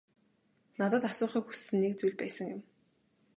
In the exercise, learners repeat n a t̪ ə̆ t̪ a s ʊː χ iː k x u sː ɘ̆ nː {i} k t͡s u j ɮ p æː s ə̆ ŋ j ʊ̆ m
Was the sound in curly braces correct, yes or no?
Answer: no